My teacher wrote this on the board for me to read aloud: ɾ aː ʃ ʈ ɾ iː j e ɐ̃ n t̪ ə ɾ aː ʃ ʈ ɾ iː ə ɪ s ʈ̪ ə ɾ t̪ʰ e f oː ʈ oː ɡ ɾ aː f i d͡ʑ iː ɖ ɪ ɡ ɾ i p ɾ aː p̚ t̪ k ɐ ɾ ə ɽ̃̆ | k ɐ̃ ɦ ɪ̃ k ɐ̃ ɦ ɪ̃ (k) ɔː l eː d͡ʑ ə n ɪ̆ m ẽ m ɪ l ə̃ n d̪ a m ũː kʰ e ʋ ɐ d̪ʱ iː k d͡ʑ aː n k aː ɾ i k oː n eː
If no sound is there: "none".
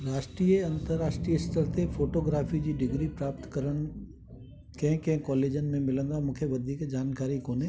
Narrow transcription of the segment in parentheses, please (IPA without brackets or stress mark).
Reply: k